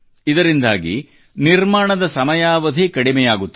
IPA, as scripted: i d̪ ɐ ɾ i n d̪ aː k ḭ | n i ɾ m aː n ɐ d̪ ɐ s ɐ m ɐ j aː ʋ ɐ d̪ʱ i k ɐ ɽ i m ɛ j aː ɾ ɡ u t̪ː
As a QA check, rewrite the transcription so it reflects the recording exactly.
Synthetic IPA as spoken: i d̪ ɐ ɾ i n d̪ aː ɡ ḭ | n i ɾ m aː ɳ ɐ d̪ ɐ s ɐ m ɐ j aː ʋ ɐ d̪ʱ i k ɐ ɽ i m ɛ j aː ɡ u t̪ː